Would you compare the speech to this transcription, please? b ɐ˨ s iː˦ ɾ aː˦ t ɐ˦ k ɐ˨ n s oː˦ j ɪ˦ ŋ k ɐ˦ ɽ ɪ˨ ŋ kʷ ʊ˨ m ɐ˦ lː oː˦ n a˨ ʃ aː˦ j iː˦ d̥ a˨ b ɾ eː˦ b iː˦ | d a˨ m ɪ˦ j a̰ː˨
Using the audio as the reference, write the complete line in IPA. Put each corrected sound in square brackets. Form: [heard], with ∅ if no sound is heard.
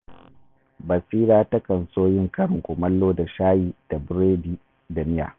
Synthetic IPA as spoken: b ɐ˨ s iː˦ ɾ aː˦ t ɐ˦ k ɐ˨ n s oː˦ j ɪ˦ ŋ k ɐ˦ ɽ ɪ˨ ŋ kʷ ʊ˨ m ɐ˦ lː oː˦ [d] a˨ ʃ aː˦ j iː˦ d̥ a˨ b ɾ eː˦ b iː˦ | d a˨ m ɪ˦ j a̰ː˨